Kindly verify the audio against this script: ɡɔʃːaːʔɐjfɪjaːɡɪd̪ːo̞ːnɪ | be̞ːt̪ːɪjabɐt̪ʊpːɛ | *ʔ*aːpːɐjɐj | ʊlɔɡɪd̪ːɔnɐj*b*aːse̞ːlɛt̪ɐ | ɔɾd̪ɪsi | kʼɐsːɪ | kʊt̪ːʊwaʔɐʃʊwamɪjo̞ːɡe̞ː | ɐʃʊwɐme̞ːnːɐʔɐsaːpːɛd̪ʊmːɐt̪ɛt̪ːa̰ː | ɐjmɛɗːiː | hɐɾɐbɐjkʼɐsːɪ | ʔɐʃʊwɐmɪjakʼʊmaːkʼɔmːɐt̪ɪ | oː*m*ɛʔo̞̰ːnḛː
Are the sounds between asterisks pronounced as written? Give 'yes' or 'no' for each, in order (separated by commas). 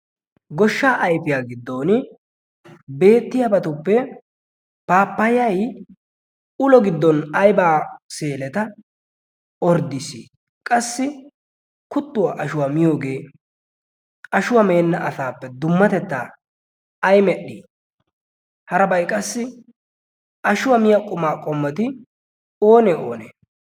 no, yes, no